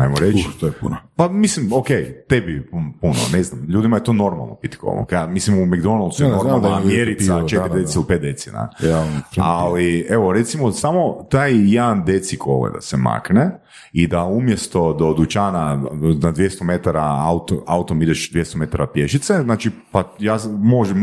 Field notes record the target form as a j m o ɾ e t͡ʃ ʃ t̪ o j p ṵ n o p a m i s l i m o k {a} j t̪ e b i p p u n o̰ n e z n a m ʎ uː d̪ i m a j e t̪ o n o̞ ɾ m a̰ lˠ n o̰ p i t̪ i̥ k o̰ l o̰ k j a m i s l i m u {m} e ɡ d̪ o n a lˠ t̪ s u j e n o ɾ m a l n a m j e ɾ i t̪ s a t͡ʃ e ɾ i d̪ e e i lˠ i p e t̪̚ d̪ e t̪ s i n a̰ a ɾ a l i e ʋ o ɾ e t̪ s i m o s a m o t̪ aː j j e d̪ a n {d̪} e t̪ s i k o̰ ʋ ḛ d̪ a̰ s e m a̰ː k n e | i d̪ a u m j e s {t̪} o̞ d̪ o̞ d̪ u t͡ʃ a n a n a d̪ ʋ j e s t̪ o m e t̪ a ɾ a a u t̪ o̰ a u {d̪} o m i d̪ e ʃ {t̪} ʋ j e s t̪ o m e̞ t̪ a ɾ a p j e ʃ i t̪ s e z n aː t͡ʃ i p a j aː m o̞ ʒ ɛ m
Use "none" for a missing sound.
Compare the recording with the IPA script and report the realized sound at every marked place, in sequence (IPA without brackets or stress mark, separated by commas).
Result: e, m, d̪, t̪, t̪, d̪